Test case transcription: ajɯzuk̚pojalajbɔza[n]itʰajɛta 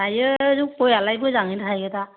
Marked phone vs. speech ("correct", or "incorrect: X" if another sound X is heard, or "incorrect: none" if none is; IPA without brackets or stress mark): incorrect: ŋ